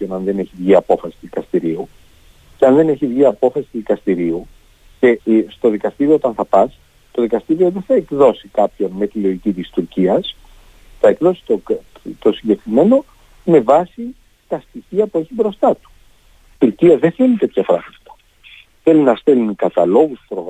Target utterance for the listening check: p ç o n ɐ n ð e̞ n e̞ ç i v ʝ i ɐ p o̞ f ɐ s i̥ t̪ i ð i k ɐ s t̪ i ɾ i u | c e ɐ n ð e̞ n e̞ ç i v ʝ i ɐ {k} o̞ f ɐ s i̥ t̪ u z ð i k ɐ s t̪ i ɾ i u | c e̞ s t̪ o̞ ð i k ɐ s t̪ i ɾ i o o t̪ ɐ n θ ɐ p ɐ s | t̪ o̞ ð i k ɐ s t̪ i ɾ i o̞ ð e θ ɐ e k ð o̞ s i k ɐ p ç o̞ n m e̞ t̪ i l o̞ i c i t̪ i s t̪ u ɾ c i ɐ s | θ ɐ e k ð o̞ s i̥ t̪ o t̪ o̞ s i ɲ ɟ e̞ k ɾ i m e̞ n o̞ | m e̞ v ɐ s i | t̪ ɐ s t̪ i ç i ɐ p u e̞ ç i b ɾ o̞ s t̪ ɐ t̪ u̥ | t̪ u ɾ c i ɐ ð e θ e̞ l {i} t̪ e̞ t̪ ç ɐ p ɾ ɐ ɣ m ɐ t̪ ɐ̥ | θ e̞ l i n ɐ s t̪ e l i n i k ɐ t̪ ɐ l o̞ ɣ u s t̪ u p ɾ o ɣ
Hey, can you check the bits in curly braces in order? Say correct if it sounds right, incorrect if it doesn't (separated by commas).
incorrect, correct